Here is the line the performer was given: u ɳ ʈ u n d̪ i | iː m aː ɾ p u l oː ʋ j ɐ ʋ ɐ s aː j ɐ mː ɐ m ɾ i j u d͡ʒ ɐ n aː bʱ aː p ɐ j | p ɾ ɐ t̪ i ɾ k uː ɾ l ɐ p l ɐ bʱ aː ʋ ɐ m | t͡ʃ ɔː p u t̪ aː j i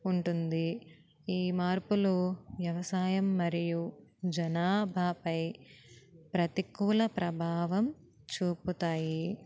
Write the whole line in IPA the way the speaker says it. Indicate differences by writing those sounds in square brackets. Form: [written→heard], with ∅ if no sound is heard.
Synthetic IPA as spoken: u ɳ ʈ u n d̪ i | iː m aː ɾ p u l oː ʋ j ɐ ʋ ɐ s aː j ɐ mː ɐ [m→∅] ɾ i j u d͡ʒ ɐ n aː bʱ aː p ɐ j | p ɾ ɐ t̪ i [ɾ→∅] k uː [ɾ→∅] l ɐ p [l→ɾ] ɐ bʱ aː ʋ ɐ m | t͡ʃ [ɔː→uː] p u t̪ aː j i